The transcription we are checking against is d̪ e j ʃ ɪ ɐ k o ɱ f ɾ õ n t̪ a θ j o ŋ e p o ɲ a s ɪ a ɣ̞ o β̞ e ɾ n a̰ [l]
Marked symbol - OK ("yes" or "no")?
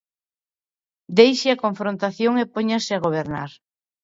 no